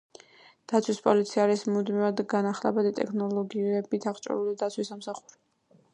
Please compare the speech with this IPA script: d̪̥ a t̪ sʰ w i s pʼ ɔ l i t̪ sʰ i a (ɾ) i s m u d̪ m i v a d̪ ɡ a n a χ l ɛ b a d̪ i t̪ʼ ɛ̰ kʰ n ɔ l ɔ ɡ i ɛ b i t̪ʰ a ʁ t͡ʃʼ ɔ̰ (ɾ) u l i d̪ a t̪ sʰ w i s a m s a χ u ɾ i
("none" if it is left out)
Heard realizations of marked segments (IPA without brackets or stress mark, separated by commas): ɾ, ɾ